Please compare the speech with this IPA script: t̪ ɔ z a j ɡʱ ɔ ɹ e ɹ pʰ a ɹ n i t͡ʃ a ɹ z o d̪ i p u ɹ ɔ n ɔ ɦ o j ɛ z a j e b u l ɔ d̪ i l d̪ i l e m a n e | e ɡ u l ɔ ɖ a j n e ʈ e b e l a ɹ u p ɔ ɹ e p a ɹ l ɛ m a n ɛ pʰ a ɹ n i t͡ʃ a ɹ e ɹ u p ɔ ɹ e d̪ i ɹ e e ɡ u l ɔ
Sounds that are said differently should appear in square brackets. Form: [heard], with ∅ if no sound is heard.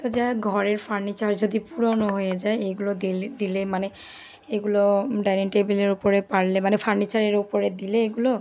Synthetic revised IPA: t̪ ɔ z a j ɡʱ ɔ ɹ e ɹ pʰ a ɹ n i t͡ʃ a ɹ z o d̪ i p u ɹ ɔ n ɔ ɦ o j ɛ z a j e [ɡ] u l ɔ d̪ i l d̪ i l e m a n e | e ɡ u l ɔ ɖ a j n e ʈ e b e l [e] ɹ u p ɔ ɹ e p a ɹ l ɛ m a n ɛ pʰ a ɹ n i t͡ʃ a ɹ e ɹ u p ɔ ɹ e d̪ i [l] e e ɡ u l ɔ